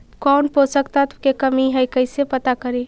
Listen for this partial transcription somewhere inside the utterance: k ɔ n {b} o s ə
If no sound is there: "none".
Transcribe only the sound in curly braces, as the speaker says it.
p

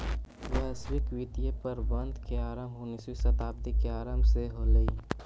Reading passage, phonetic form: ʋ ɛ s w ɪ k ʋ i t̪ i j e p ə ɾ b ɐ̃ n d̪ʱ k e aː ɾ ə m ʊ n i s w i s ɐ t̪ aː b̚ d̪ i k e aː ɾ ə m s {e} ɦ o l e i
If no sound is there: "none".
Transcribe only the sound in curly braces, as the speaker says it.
e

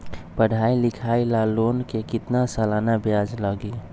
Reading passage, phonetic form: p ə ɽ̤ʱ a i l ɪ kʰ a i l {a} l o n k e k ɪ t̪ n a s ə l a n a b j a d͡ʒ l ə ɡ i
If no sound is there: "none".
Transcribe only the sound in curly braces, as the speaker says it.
a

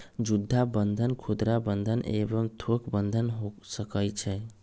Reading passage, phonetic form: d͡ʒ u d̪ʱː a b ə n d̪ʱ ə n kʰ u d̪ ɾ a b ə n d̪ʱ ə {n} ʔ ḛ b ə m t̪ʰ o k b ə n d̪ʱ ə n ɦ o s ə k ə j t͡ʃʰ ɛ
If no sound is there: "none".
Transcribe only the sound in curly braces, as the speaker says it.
n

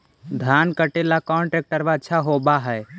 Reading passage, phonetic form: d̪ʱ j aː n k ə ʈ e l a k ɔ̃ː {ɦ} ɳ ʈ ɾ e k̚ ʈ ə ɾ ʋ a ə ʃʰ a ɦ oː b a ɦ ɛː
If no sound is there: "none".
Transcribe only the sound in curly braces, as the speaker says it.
none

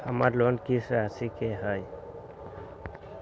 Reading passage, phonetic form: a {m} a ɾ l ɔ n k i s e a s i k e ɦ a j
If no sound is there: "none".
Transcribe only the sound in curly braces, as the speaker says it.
m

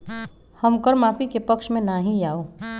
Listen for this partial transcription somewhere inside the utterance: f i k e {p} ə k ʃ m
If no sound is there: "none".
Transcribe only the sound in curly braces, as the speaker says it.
p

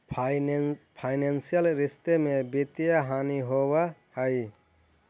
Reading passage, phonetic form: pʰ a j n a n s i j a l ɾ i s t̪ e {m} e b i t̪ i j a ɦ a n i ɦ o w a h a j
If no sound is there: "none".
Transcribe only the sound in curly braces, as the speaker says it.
m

